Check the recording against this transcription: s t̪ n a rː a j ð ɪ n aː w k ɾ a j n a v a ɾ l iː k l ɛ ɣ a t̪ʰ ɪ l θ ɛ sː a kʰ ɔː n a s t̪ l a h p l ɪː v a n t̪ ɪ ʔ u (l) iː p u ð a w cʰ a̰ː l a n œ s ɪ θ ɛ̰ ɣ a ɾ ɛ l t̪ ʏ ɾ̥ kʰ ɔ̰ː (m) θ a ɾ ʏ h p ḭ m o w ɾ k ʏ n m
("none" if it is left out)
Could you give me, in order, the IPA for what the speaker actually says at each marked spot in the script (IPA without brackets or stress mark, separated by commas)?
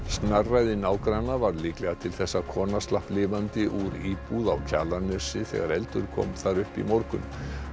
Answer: ɾ, m